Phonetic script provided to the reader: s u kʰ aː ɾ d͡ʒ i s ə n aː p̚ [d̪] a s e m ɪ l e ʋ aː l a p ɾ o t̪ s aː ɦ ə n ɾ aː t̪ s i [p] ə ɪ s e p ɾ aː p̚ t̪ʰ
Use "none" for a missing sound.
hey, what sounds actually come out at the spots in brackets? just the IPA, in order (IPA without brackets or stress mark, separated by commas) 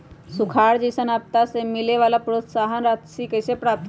t̪, k